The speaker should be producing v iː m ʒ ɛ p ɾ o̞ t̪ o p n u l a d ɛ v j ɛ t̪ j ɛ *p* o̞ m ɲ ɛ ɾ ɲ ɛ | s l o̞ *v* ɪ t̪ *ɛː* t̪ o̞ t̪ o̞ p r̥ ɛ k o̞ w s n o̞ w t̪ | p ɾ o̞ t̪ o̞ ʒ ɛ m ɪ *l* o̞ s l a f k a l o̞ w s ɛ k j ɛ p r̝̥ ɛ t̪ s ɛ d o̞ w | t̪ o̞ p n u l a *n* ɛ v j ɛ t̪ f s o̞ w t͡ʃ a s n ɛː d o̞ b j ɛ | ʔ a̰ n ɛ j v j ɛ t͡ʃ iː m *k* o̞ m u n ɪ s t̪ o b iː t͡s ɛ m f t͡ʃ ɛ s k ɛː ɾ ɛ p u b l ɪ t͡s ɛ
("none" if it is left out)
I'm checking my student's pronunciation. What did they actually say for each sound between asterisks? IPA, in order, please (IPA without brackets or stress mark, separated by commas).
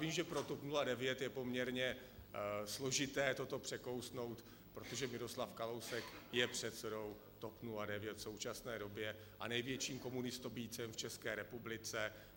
p, ʒ, ɛː, ɾ, d, k